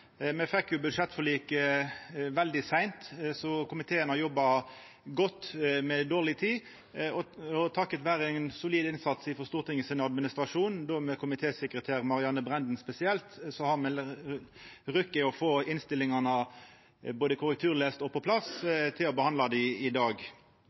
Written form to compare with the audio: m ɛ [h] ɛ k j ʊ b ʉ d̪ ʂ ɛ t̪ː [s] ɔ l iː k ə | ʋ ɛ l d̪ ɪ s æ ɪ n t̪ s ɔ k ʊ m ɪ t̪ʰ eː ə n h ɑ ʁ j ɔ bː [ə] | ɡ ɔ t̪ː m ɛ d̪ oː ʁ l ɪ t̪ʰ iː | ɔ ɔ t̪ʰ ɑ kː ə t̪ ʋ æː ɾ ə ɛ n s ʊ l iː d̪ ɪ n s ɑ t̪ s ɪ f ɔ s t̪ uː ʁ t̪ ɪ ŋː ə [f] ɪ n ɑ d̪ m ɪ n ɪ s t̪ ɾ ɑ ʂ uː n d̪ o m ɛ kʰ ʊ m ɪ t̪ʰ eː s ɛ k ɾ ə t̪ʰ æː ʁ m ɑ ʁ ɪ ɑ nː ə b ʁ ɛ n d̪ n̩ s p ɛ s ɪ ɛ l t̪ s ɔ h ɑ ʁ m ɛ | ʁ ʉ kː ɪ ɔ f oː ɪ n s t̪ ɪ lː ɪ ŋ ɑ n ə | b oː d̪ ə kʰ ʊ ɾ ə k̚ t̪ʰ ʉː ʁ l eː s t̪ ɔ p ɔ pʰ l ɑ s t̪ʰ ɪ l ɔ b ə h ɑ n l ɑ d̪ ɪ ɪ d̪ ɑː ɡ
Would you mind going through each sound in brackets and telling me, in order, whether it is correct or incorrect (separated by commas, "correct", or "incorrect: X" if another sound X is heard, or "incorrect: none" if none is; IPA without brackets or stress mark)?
incorrect: f, incorrect: f, incorrect: ɑ, incorrect: s